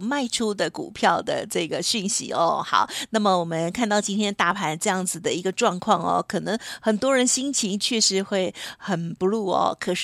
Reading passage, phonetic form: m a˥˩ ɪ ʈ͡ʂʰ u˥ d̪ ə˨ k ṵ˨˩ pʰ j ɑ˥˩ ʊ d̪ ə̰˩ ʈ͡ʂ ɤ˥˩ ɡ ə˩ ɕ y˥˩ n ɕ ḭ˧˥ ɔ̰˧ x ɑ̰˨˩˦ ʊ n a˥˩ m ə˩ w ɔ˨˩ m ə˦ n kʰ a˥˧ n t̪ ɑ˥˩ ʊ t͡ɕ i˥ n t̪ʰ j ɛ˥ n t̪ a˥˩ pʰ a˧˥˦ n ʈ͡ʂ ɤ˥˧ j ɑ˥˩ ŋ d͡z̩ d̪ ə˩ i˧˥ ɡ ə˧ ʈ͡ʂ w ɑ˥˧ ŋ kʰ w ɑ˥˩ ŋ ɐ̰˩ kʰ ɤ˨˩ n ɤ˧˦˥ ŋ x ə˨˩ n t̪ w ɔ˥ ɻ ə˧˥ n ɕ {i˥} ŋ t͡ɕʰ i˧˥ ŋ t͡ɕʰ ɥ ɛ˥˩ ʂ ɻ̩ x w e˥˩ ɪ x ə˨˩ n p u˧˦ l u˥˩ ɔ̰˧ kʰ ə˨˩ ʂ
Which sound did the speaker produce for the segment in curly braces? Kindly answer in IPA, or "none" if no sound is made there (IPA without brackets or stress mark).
i˥